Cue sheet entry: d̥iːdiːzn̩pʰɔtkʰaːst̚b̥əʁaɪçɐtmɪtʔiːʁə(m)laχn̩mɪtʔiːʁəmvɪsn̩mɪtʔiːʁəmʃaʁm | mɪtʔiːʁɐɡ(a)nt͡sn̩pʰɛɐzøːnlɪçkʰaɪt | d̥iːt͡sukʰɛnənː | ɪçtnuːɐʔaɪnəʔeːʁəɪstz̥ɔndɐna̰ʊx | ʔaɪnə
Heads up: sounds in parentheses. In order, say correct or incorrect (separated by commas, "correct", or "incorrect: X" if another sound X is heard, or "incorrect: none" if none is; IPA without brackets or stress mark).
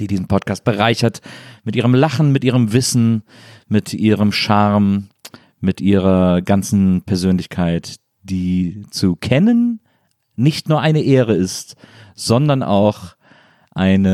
correct, correct